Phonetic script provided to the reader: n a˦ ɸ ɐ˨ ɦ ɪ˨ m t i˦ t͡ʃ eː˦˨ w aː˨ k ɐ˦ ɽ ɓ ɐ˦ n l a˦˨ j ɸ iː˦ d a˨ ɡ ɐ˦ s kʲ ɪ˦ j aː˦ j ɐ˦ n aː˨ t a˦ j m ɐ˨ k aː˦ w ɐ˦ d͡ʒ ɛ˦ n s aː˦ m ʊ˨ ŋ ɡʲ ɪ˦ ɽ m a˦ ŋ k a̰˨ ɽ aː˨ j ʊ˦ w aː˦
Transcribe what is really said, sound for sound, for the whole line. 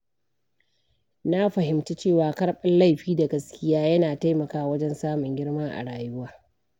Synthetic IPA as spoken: n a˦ ɸ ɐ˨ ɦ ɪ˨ m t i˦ t͡ʃ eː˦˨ w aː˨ k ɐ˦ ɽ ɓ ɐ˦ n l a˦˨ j ɸ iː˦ d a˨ ɡ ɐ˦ s kʲ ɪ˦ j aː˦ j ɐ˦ n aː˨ t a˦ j m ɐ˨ k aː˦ w ɐ˦ d͡ʒ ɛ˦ n s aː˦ m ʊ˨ ŋ ɡʲ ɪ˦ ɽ m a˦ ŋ ʔ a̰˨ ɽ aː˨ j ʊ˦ w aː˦

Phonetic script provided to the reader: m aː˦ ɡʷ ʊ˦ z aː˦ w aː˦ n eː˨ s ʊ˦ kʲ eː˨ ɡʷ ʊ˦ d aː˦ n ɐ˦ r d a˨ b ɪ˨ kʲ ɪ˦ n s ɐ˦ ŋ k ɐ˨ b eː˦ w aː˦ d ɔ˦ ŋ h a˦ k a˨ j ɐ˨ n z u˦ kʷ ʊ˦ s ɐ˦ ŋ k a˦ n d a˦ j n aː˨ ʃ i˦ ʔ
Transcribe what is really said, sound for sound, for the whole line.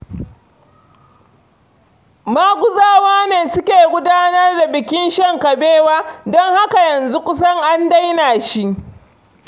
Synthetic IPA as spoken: m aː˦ ɡʷ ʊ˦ z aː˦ w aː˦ n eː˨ s ʊ˦ kʲ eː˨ ɡʷ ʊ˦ d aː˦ n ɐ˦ r d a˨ b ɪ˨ kʲ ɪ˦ n ʃ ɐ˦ ŋ k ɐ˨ b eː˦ w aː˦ d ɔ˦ ŋ h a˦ k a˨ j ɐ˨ n z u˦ kʷ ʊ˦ s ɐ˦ ŋ ʔ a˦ n d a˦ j n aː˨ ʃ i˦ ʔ

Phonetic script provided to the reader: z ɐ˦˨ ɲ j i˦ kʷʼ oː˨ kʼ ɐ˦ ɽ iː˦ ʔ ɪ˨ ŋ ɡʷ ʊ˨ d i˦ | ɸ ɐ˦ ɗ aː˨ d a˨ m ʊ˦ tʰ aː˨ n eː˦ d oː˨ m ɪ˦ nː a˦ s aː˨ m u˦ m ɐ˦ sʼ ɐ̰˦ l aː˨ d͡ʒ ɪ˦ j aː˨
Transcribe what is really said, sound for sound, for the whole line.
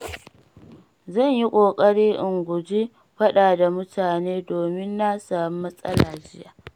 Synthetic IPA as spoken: z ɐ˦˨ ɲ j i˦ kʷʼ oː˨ kʼ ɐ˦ ɽ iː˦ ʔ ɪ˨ ŋ ɡʷ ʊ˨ d͡ʒ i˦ | ɸ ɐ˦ ɗ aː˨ d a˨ m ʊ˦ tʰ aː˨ n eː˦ d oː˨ m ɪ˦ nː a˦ s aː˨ m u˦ m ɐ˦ sʼ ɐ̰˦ l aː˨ d͡ʒ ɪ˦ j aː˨

